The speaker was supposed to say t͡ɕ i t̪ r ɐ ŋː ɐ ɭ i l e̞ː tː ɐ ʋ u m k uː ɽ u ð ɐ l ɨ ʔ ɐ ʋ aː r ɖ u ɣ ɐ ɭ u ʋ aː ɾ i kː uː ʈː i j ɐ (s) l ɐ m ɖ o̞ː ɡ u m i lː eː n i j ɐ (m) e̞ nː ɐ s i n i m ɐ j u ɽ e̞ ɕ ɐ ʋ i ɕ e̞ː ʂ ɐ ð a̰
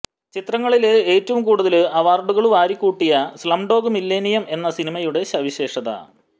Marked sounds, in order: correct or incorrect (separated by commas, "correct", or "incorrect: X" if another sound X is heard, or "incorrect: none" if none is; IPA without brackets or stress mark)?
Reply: correct, correct